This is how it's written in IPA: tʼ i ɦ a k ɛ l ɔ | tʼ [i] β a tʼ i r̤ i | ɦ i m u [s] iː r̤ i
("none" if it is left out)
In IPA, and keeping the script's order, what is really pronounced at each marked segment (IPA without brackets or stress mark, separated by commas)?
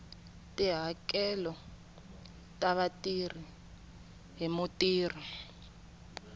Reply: a, t